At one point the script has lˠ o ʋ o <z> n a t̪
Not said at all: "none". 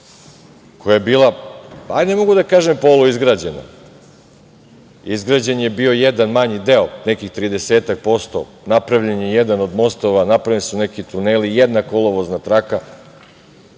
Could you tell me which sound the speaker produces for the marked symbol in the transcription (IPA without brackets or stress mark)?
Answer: z